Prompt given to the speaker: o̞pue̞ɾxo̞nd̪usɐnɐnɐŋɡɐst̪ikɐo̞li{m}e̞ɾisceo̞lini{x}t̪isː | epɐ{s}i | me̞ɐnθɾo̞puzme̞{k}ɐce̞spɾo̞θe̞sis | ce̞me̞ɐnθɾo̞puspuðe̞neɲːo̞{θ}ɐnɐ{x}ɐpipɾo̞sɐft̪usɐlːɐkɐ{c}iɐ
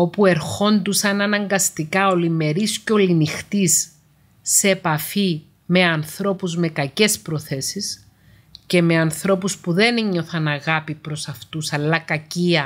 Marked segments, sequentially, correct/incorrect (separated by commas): correct, correct, incorrect, correct, correct, incorrect, correct